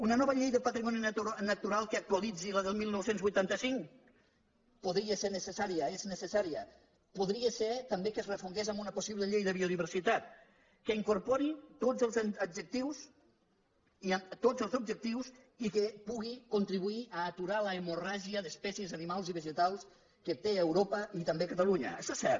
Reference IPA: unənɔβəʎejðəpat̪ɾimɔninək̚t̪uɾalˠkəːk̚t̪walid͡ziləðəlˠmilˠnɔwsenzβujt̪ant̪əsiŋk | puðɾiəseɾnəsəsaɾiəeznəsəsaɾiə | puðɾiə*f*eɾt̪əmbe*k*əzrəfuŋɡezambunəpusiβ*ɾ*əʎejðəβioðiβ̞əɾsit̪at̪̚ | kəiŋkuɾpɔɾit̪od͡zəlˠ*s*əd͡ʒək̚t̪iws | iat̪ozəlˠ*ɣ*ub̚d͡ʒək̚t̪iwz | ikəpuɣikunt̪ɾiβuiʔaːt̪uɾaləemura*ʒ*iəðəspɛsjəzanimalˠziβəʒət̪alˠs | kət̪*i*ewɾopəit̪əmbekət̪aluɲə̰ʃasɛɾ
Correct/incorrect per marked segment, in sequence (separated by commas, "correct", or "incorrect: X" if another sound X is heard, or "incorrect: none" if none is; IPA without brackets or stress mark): incorrect: s, correct, incorrect: l, incorrect: z, incorrect: z, correct, incorrect: e